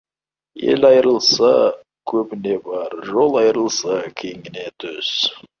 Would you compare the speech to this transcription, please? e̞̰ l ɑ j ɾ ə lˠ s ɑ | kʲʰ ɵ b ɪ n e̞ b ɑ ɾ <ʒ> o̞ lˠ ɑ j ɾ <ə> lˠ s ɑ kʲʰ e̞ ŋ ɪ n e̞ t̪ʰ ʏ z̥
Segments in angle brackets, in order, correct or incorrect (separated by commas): correct, correct